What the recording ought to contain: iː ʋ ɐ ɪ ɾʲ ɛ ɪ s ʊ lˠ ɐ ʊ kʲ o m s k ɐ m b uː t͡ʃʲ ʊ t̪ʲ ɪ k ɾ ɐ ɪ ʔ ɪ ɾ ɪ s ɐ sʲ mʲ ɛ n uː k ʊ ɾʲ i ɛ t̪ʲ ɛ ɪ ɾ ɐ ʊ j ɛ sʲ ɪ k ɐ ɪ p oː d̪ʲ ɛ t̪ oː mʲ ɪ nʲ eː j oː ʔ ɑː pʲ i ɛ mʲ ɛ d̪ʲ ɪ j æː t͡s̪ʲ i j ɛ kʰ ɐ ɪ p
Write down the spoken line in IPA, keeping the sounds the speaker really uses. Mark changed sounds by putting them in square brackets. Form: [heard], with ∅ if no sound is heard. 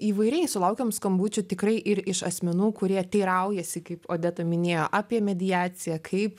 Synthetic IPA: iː ʋ ɐ ɪ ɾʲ ɛ ɪ s ʊ lˠ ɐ ʊ kʲ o m s k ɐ m b uː t͡ʃʲ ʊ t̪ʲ ɪ k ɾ ɐ ɪ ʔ ɪ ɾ ɪ [ʃ] ɐ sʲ mʲ ɛ n uː k ʊ ɾʲ i ɛ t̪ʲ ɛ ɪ ɾ ɐ ʊ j ɛ sʲ ɪ k ɐ ɪ p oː d̪ʲ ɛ t̪ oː mʲ ɪ nʲ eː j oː ʔ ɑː pʲ i ɛ mʲ ɛ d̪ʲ ɪ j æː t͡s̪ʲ [ɪ] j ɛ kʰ ɐ ɪ p